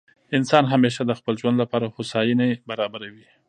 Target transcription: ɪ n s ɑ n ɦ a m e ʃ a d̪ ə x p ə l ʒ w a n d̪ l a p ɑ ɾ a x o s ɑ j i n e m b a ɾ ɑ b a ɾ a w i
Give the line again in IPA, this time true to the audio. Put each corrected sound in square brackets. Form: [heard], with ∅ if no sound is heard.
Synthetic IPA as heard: ɪ n s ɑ n ɦ a m e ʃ a d̪ ə x p ə l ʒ w a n d̪ l a p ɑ ɾ a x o s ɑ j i n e [∅] b a ɾ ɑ b a ɾ a w i